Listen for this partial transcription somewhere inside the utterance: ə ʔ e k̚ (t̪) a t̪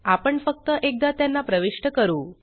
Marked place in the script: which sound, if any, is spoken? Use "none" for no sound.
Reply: d̪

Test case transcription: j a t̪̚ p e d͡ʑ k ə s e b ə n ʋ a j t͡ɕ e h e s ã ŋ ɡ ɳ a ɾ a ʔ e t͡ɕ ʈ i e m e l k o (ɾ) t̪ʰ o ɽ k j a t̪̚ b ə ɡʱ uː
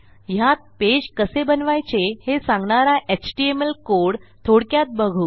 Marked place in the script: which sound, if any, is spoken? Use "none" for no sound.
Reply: ɽ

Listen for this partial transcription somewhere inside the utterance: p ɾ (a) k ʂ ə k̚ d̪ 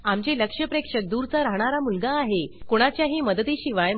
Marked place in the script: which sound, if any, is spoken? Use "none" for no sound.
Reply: e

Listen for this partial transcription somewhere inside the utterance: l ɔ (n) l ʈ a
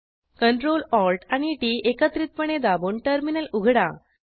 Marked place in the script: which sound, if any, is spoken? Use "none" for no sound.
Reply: none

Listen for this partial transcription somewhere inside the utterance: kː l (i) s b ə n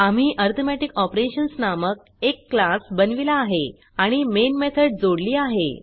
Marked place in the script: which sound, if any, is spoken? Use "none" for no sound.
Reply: a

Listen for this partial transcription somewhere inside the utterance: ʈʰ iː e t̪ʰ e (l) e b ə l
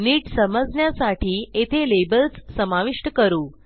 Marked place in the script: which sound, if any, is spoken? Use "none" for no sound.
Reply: l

